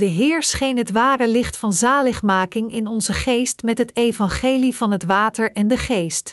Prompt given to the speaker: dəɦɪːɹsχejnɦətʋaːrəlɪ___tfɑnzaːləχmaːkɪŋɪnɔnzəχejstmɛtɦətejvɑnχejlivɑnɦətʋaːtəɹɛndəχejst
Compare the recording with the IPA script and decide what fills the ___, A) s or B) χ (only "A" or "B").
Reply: B